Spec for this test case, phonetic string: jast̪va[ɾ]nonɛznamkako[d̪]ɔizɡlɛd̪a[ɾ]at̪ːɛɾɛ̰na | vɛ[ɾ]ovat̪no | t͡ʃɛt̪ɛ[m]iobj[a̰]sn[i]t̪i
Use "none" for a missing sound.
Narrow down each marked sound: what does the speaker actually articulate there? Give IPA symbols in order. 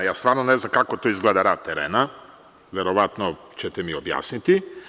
ɾ, t̪, ɾ, ɾ, m, a̰, i

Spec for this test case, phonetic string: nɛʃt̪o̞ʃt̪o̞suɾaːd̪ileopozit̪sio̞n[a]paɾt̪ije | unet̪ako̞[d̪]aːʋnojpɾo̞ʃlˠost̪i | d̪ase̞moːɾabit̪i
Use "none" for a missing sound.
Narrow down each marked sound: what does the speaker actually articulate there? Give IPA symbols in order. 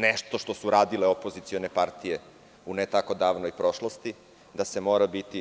e, d̪

